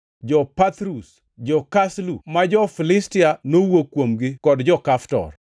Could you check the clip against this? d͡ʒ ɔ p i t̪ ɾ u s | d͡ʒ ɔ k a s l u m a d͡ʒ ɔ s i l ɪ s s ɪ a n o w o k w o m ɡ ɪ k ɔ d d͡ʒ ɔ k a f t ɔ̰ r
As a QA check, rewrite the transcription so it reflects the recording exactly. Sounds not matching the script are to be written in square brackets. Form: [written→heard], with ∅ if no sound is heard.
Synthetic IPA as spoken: d͡ʒ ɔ p [i→a] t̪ ɾ u s | d͡ʒ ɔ k a s l u m a d͡ʒ ɔ [s→f] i l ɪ s [s→t] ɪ a n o w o k w o m ɡ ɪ k ɔ d d͡ʒ ɔ k a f t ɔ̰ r